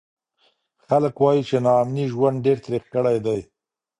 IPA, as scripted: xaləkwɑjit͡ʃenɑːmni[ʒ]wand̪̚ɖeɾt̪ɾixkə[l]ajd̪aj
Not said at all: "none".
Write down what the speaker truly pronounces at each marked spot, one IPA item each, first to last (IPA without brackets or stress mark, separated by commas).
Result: ʒ, ɽ